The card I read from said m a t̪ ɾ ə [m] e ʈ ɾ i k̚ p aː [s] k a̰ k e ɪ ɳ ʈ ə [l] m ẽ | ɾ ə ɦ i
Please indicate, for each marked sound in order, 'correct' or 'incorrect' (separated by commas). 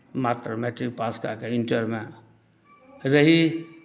correct, correct, incorrect